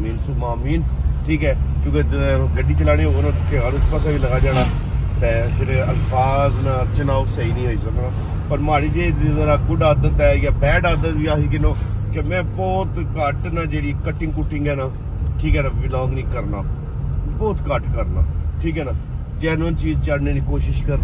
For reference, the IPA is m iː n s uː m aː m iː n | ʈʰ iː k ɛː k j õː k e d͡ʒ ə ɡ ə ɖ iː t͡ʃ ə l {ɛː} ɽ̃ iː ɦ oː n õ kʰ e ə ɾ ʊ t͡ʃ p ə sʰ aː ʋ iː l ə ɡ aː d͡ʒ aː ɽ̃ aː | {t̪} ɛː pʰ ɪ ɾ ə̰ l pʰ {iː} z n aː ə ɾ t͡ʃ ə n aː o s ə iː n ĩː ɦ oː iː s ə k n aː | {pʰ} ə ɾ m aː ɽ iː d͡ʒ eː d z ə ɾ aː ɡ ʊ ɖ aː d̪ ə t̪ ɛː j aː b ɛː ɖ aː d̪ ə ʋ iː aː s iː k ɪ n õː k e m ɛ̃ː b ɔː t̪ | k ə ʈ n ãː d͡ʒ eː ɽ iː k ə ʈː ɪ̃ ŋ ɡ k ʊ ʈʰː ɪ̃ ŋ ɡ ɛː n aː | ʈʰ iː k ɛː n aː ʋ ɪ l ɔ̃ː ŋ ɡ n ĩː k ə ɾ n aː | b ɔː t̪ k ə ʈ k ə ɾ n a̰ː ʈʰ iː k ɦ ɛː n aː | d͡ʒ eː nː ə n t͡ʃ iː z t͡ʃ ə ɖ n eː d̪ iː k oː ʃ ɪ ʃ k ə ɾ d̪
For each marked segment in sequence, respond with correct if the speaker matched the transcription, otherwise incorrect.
incorrect: aː, correct, incorrect: aː, incorrect: p

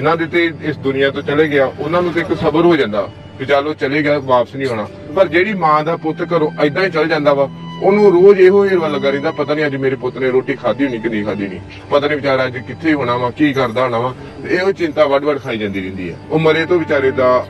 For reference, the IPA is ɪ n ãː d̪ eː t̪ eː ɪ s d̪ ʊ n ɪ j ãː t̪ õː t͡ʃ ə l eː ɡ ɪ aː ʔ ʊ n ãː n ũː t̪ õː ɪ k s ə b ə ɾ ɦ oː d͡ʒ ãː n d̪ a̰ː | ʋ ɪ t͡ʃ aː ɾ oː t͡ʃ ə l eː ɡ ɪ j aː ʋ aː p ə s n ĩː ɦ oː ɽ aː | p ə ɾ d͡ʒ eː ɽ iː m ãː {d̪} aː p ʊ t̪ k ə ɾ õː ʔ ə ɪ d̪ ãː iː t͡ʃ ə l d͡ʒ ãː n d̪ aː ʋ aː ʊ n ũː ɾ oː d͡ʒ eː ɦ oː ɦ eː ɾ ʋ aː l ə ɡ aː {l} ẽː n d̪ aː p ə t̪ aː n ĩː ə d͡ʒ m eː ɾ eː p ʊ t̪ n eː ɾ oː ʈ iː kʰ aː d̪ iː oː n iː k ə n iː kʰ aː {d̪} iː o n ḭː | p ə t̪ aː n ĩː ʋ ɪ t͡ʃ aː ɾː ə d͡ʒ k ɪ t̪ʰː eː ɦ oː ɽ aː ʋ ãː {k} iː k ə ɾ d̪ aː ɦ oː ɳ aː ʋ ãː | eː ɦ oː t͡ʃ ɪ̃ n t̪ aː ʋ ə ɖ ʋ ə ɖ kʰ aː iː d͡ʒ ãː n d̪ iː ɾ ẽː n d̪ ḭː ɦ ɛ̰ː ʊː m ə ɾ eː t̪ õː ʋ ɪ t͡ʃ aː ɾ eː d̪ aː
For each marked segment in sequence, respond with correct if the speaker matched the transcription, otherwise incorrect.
correct, incorrect: ɾ, correct, correct

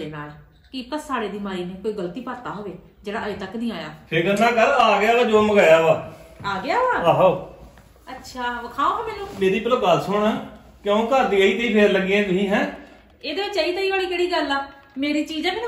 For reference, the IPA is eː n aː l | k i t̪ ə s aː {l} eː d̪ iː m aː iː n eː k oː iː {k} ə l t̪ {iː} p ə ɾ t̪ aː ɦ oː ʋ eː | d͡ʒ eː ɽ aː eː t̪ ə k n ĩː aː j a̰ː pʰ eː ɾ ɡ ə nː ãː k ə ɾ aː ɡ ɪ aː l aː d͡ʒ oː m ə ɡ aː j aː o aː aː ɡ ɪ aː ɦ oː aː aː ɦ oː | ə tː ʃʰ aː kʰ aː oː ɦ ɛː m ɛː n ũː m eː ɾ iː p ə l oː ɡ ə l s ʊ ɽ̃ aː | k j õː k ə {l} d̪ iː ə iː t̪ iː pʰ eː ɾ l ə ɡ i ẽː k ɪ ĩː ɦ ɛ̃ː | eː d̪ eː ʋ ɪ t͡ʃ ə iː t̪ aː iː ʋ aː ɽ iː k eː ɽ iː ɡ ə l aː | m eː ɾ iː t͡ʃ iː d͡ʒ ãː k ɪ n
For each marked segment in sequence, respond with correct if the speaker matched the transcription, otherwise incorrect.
incorrect: ɽ, incorrect: ɡ, correct, incorrect: ɾ

